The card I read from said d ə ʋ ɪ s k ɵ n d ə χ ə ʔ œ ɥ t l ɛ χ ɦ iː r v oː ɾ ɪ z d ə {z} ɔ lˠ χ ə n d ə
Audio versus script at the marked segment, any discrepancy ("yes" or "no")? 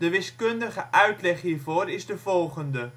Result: yes